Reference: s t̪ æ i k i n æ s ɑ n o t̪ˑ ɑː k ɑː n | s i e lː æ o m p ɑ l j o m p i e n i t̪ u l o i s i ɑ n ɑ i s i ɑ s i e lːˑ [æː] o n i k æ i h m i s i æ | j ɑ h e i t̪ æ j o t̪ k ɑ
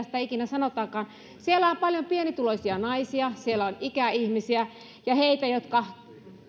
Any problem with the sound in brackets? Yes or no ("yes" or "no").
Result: yes